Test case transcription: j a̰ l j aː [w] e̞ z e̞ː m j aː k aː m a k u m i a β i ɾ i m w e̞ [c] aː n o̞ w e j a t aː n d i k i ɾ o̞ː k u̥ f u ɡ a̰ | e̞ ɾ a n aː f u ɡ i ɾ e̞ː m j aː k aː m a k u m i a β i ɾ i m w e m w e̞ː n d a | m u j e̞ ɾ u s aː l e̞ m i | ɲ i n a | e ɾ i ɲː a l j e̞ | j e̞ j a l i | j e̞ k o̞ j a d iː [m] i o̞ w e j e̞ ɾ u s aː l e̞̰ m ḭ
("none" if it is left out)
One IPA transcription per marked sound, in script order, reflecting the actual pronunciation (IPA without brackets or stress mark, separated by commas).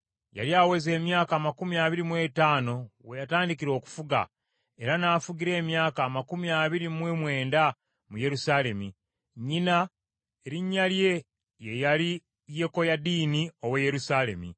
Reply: w, t, n